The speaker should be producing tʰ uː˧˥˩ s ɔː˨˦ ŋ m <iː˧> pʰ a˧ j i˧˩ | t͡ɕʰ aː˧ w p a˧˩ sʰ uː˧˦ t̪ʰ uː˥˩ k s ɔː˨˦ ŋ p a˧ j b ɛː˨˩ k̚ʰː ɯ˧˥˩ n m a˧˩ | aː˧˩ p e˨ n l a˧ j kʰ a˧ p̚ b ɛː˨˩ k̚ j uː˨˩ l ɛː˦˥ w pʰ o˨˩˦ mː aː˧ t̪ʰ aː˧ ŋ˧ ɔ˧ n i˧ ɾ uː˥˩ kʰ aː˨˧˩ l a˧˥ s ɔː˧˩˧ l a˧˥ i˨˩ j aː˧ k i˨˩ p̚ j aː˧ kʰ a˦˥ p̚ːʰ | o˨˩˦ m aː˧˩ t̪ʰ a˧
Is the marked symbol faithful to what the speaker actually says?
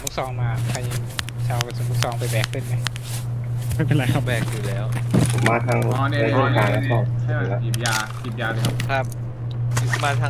no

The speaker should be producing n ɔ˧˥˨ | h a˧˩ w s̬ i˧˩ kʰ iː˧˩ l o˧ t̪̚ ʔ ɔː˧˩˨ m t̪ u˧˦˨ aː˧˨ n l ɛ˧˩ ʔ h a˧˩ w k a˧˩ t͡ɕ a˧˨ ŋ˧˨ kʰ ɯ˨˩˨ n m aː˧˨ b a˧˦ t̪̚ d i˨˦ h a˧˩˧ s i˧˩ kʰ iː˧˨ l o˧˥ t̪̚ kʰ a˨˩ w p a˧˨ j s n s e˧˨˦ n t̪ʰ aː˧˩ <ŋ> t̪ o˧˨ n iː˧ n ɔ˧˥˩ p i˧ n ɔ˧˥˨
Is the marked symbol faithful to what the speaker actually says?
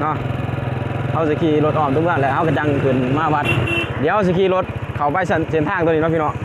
yes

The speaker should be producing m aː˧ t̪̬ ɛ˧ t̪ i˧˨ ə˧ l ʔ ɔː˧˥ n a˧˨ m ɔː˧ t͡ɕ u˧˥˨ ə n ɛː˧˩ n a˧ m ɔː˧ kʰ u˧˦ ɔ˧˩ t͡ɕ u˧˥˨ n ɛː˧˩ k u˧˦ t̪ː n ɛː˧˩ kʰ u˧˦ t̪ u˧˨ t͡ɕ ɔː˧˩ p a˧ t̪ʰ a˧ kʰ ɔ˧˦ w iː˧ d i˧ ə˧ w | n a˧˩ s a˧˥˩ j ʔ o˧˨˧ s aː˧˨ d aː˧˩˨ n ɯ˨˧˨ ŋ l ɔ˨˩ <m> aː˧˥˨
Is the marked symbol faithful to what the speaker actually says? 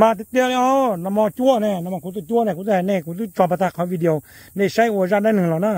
no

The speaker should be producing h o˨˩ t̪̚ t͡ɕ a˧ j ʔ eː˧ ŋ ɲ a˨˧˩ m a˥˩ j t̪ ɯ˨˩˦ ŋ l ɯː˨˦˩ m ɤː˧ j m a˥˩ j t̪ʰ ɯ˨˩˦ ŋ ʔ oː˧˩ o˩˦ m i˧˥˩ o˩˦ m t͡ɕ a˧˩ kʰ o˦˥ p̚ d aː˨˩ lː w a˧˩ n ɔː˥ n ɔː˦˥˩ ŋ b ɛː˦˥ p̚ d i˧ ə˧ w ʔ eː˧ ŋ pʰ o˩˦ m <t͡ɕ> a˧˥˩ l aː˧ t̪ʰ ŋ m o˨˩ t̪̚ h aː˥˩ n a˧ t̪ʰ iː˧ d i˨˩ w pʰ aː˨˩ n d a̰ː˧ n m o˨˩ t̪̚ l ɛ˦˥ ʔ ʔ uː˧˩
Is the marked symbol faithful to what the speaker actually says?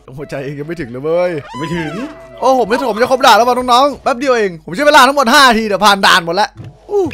yes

